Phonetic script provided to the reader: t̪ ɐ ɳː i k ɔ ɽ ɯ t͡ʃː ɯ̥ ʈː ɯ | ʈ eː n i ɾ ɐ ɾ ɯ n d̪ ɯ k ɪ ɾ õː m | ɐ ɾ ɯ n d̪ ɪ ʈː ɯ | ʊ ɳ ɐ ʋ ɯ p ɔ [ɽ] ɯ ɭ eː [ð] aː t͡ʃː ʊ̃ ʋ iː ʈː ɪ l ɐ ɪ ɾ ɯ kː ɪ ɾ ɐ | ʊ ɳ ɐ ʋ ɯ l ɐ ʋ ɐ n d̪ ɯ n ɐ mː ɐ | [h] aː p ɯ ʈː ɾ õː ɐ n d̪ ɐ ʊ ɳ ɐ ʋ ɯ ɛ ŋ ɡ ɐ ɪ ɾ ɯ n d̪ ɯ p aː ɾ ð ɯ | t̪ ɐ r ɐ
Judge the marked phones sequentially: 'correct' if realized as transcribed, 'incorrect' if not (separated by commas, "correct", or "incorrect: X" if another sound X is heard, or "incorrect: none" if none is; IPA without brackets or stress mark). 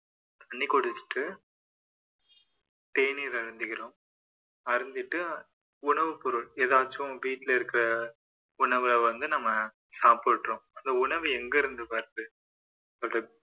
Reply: incorrect: ɾ, correct, incorrect: s